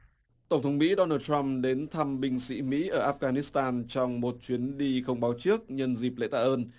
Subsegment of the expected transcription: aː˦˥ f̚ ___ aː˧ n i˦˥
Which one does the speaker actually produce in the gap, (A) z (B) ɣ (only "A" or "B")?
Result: B